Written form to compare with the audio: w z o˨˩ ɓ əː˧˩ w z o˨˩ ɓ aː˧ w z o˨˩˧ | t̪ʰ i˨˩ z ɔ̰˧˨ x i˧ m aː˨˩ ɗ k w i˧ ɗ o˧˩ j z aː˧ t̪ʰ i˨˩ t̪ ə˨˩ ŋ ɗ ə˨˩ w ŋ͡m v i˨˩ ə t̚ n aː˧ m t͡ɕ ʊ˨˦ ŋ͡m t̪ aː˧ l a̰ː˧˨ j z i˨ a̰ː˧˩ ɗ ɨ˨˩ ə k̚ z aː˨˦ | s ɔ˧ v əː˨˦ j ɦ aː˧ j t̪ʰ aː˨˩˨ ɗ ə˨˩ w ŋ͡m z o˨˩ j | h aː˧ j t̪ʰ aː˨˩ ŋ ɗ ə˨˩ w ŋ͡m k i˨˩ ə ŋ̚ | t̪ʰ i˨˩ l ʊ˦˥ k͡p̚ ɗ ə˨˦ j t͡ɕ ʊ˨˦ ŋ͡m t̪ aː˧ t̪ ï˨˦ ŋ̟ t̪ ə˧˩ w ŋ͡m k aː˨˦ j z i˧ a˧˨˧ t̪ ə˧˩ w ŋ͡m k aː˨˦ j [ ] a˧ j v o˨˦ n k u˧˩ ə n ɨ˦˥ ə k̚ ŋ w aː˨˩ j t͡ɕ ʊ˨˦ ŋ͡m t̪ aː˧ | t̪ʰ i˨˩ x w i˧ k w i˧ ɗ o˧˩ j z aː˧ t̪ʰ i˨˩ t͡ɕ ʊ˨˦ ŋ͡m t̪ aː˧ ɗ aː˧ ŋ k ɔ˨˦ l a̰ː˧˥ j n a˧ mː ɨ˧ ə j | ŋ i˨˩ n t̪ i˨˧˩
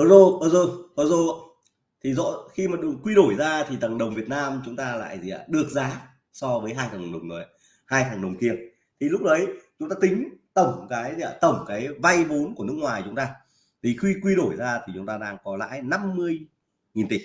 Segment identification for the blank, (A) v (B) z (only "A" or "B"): A